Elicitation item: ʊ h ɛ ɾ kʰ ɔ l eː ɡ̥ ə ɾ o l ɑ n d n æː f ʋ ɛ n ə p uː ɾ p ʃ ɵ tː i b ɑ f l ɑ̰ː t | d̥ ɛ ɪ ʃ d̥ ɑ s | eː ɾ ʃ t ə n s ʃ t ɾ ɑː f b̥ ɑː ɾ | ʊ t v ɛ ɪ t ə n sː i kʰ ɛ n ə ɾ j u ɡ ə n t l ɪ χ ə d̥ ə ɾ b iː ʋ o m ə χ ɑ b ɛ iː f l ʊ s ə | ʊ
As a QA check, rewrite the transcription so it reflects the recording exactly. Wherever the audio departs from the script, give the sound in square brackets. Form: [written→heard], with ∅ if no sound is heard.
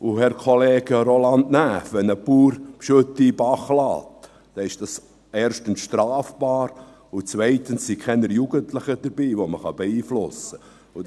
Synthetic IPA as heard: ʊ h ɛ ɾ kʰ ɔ l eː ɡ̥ ə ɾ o l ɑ n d n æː f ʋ ɛ n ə p uː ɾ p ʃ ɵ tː i b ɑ [f→χ] l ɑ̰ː t | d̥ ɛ ɪ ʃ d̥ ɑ s | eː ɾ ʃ t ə n s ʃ t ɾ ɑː f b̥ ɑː ɾ | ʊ [t→t͡s] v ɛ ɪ t ə n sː i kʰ ɛ n ə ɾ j u ɡ ə n t l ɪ χ ə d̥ ə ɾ b iː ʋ o m ə χ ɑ b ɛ iː f l ʊ s ə | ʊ